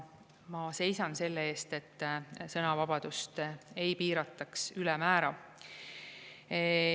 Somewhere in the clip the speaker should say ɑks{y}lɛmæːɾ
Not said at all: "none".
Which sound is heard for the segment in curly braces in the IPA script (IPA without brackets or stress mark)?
y